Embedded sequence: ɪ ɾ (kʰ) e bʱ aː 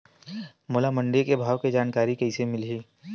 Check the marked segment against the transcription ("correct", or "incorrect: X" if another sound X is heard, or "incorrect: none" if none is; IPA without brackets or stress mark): incorrect: k